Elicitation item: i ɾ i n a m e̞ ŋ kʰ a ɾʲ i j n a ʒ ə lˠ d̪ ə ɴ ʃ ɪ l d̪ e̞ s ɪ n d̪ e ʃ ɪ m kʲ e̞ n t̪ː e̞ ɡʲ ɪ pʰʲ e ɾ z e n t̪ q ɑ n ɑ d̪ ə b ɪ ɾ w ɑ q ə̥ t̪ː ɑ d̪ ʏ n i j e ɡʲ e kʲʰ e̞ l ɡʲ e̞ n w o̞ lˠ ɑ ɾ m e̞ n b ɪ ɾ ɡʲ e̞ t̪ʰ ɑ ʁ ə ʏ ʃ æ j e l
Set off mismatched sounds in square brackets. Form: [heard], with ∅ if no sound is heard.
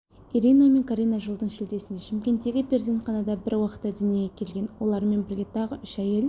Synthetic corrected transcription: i ɾ i n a m e̞ ŋ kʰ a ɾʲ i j n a ʒ ə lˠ d̪ ə ɴ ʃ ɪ l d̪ e̞ s ɪ n d̪ e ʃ ɪ m kʲ e̞ n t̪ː e̞ ɡʲ ɪ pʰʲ e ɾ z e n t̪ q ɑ n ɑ d̪ [ɑ] b ɪ ɾ w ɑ q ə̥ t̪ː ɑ d̪ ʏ n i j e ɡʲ e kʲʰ e̞ l ɡʲ e̞ n w o̞ lˠ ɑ ɾ m e̞ n b ɪ ɾ ɡʲ e̞ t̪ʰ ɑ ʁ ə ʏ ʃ æ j e l